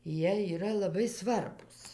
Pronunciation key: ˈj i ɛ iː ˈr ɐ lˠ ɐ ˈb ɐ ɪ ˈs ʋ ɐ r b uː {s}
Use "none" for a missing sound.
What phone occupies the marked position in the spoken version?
s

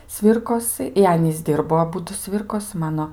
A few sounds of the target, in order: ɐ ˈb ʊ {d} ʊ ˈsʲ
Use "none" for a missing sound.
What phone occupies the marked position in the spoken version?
d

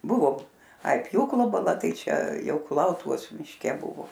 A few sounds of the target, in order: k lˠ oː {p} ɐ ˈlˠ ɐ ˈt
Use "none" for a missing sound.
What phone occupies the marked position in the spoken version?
b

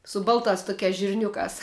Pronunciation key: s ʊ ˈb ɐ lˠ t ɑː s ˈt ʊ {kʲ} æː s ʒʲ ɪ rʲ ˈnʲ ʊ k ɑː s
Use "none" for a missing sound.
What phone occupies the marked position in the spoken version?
kʲ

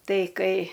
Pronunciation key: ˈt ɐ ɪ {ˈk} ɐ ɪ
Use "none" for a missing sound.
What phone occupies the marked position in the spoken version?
k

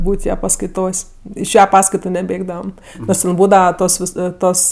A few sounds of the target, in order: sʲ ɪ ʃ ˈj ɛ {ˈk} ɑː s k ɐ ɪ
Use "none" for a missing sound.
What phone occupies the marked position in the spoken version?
p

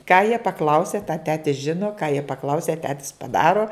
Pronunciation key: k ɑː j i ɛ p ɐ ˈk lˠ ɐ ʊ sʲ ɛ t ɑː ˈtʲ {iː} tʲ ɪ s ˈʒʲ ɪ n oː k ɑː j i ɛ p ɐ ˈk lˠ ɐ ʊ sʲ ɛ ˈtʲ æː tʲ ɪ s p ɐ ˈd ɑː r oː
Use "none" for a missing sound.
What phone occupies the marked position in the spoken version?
æː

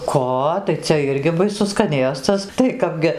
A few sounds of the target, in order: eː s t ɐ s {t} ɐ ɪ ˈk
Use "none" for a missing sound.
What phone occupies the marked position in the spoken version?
t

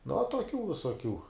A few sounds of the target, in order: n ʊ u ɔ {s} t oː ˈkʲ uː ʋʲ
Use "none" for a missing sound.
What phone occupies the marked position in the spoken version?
none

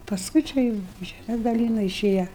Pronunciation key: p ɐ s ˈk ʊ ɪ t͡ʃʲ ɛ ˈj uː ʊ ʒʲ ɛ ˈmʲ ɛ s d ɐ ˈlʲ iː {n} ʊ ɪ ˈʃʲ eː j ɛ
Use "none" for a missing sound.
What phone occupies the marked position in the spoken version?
n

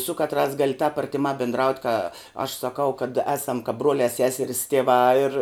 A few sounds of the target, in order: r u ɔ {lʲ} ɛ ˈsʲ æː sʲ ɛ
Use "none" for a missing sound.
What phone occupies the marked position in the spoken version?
lʲ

